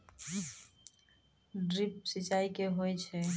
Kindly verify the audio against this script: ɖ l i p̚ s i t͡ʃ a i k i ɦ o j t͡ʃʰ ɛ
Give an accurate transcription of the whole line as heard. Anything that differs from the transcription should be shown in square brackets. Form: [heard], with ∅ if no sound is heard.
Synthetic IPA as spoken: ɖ [ɾ] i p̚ s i t͡ʃ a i k [e] ɦ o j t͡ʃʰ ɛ